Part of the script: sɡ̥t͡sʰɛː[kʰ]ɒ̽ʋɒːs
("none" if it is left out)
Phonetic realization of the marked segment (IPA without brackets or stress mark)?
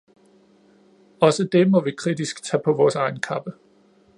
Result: pʰ